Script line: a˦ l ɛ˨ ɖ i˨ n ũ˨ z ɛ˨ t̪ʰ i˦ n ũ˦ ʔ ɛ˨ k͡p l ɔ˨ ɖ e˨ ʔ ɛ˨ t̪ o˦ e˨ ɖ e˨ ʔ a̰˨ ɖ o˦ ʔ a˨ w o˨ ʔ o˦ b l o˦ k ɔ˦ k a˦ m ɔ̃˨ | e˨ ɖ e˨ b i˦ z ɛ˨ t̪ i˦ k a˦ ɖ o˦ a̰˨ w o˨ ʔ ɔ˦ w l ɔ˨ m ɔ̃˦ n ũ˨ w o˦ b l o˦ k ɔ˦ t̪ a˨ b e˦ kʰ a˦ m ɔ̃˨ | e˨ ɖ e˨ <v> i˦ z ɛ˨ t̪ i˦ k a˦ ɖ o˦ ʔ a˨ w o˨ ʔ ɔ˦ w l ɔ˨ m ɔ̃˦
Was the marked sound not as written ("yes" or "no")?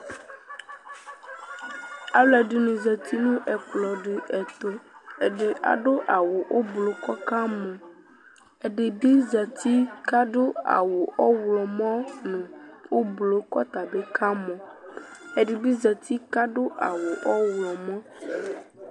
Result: yes